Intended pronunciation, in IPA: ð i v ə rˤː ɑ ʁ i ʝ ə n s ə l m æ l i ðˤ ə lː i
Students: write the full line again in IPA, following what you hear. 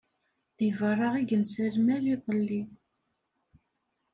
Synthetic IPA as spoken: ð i v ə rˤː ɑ ʁ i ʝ ə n s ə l m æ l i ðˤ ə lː i